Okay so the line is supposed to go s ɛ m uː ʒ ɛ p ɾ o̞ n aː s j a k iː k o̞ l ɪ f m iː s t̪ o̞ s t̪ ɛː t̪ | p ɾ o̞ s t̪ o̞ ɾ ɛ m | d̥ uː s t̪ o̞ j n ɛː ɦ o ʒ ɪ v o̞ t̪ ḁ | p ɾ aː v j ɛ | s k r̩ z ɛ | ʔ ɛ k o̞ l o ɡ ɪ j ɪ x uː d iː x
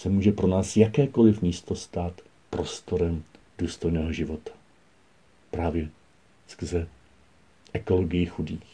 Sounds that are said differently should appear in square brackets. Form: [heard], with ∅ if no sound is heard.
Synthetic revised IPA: s ɛ m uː ʒ ɛ p ɾ o̞ n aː s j a k [ɛː] k o̞ l ɪ f m iː s t̪ o̞ s t̪ [aː] t̪ | p ɾ o̞ s t̪ o̞ ɾ ɛ m | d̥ uː s t̪ o̞ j n ɛː ɦ o ʒ ɪ v o̞ t̪ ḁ | p ɾ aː v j ɛ | s k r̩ z ɛ | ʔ ɛ k o̞ l o ɡ ɪ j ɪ x [u] d iː x